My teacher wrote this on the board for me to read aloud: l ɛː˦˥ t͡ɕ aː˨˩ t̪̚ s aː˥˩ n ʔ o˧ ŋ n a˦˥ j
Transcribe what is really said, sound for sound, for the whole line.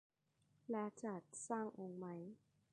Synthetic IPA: l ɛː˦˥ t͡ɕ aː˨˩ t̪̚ s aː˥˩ ŋ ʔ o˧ ŋ m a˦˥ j